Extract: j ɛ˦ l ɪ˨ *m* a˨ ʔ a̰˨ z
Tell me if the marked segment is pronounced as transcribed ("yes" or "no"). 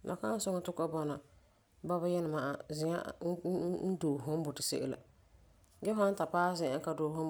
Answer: yes